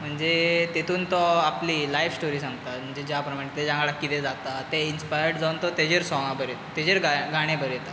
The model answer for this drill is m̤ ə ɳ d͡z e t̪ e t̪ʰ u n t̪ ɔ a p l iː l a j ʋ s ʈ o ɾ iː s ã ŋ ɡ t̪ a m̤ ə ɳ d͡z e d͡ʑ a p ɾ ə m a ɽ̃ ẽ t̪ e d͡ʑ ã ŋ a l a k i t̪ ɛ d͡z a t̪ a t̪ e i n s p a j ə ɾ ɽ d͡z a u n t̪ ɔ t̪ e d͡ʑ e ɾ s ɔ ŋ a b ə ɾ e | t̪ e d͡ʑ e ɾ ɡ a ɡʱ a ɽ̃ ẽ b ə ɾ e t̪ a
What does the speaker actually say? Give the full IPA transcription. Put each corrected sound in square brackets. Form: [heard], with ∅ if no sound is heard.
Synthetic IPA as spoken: m̤ ə ɳ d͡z e t̪ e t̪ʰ [uː] n t̪ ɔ a p l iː l a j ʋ s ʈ o ɾ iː s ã ŋ ɡ t̪ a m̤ ə ɳ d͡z e d͡ʑ a p ɾ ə m a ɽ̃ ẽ t̪ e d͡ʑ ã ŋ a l a k i t̪ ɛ d͡z a t̪ a t̪ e i n s p a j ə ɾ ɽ d͡z a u n t̪ ɔ t̪ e d͡ʑ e ɾ s ɔ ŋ a b ə ɾ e | t̪ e d͡ʑ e ɾ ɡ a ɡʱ a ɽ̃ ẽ b ə ɾ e t̪ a